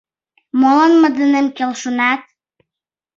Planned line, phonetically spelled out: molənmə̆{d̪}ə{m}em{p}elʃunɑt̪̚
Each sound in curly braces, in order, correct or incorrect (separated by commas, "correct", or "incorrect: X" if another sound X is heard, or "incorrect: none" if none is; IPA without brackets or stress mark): correct, incorrect: n, incorrect: k